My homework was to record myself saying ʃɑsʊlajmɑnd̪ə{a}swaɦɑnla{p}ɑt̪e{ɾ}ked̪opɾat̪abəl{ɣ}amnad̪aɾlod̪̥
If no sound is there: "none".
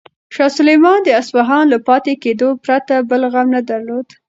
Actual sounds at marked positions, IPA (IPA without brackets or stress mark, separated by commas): a, p, none, ɣ